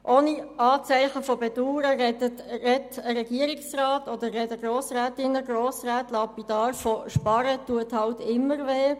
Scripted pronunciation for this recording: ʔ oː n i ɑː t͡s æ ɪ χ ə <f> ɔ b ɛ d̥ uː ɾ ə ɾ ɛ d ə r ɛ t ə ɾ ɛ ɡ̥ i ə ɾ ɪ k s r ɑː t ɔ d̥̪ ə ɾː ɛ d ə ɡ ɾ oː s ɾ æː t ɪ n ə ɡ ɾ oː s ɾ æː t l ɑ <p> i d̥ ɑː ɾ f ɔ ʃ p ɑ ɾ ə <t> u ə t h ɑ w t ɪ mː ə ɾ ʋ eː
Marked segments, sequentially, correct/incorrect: correct, correct, correct

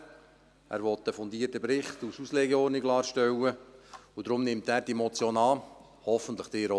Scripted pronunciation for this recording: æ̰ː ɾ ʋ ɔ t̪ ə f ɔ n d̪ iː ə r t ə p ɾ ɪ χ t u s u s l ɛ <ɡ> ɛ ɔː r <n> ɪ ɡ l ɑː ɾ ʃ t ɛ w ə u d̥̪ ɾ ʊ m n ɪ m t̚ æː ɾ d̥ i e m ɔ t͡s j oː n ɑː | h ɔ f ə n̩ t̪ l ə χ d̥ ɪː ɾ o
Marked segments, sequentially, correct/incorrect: correct, correct

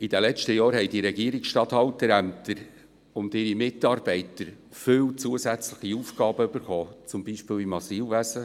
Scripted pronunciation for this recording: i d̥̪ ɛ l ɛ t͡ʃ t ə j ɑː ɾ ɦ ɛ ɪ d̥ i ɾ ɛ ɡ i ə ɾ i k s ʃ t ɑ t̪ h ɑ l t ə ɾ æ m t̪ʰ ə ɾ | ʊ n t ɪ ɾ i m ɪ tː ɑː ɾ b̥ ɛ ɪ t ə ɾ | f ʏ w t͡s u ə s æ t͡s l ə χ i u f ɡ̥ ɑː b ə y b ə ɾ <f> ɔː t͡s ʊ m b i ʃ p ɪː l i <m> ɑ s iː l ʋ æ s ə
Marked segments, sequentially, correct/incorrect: incorrect, correct

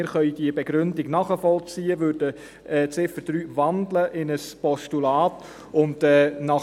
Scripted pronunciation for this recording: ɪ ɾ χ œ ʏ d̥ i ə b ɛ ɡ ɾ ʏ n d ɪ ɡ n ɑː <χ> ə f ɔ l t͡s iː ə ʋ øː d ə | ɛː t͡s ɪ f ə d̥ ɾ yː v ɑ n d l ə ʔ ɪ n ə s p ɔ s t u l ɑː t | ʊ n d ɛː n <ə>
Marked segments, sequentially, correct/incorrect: correct, incorrect

